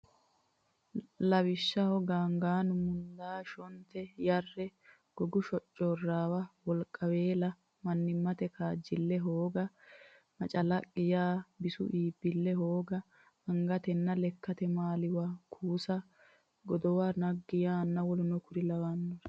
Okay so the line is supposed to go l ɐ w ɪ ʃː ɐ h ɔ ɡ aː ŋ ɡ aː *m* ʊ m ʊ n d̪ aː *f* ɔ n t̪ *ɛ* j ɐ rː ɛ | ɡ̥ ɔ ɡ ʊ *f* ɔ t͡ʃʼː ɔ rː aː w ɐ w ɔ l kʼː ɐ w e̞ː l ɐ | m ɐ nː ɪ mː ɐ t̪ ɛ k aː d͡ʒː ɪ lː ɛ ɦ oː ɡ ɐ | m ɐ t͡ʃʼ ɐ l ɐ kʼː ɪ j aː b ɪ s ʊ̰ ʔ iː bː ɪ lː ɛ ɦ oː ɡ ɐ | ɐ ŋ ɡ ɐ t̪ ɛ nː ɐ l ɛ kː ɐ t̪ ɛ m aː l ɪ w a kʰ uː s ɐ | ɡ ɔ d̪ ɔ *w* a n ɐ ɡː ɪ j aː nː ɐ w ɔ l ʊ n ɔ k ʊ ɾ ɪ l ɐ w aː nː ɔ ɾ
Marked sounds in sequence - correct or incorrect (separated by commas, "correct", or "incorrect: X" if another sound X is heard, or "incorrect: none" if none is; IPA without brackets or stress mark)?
incorrect: n, incorrect: ʃ, correct, incorrect: ʃ, correct